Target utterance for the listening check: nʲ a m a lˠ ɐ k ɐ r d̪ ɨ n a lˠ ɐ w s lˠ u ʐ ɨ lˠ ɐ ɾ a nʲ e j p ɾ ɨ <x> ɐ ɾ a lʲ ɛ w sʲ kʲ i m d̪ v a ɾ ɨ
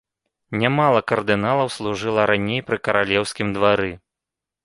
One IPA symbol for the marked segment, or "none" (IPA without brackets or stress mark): k